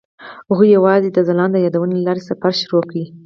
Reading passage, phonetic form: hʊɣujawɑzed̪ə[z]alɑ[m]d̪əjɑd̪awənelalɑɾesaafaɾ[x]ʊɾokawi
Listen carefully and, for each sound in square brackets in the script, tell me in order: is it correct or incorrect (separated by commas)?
correct, incorrect, incorrect